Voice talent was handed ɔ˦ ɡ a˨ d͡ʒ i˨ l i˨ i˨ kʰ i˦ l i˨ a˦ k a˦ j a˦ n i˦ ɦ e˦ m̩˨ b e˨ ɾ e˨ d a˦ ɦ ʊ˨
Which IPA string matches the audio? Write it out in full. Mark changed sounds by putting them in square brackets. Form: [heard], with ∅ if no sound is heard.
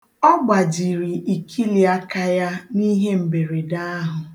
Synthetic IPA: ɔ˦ [ɡ͡b] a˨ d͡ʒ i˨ [ɾ] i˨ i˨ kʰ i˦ l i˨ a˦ k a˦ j a˦ n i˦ ɦ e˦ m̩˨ b e˨ ɾ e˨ d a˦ ɦ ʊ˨